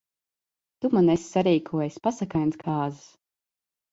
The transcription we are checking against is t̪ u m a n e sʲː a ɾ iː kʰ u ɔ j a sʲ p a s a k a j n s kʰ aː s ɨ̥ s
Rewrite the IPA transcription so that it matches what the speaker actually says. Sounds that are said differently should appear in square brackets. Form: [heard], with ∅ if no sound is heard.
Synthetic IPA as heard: t̪ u m a n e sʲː a ɾ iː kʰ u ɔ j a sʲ p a s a k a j n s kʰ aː [z] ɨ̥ s